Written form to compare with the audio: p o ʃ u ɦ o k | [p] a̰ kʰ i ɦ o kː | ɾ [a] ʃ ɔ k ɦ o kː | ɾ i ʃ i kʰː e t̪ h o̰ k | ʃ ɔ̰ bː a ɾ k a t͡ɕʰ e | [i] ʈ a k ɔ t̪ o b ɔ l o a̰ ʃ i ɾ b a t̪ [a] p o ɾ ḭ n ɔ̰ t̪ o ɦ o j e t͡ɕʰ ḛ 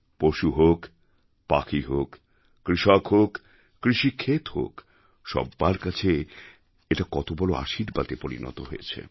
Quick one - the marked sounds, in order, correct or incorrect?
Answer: correct, incorrect: i, incorrect: e, incorrect: e

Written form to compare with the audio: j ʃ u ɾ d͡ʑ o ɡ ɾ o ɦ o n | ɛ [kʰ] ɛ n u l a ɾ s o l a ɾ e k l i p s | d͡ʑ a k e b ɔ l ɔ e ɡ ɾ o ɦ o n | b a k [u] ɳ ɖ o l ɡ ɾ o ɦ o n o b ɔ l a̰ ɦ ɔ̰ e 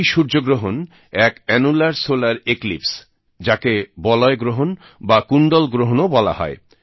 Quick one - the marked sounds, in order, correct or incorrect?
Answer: incorrect: k, correct

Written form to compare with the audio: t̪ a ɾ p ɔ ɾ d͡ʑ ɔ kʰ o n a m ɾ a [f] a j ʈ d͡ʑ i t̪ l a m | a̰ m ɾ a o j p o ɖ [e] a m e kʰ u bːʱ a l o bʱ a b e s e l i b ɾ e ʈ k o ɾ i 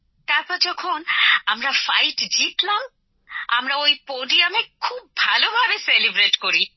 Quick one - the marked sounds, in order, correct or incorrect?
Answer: correct, incorrect: i

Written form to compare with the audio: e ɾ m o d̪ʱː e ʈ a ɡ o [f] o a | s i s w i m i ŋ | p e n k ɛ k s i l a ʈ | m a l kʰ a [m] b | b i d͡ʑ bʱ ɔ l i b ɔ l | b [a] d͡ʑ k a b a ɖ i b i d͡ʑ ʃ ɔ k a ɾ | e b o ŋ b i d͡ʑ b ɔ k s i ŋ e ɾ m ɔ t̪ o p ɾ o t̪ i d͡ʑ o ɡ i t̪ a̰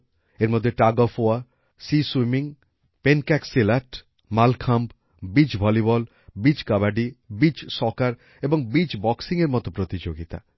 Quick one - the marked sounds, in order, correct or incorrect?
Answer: correct, correct, incorrect: i

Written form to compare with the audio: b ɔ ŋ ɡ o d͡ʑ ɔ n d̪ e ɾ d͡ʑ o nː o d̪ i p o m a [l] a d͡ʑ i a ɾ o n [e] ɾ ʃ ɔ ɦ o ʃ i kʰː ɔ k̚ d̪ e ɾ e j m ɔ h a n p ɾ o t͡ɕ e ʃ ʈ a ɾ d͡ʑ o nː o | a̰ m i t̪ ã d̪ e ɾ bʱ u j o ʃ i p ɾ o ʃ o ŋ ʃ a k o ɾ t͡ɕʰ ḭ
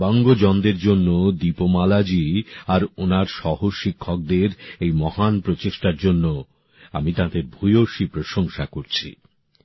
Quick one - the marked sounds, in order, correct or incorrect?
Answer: correct, incorrect: a

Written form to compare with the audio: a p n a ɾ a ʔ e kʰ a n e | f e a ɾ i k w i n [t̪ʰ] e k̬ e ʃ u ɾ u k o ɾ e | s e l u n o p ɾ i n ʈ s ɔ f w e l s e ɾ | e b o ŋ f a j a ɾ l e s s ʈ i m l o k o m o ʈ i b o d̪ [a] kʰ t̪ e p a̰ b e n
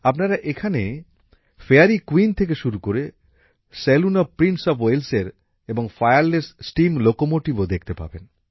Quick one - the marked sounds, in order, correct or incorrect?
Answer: correct, incorrect: e

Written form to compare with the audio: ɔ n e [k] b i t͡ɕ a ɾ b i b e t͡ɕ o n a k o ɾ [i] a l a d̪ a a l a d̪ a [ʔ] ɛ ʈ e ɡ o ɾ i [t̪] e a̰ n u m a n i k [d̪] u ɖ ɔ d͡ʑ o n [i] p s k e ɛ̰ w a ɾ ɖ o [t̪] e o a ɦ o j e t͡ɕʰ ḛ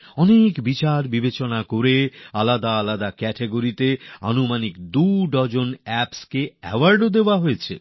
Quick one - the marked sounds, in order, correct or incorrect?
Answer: correct, incorrect: e, incorrect: k, correct, correct, incorrect: ɛ, incorrect: d̪

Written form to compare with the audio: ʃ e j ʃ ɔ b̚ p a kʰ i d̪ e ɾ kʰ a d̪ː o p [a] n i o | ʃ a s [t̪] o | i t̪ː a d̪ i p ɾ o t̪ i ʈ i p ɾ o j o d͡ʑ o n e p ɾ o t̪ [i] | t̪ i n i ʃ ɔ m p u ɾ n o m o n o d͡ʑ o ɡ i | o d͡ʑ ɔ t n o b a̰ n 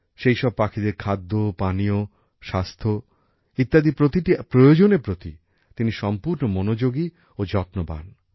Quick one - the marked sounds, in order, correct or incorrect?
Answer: correct, incorrect: t̪ʰ, correct

